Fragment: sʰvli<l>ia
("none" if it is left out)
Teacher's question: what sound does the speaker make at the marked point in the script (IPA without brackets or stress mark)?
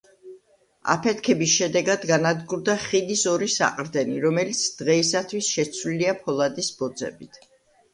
l